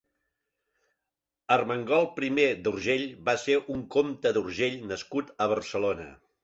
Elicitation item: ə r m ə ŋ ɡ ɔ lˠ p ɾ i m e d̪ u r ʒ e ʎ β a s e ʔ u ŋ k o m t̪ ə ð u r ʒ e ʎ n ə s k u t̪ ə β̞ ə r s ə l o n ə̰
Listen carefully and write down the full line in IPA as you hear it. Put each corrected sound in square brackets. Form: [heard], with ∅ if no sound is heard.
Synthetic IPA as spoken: ə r m ə ŋ ɡ ɔ lˠ p ɾ i m e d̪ u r ʒ e ʎ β a s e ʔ u ŋ k o m t̪ ə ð u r ʒ e ʎ n ə s k u t̪ ə β̞ ə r s ə l o n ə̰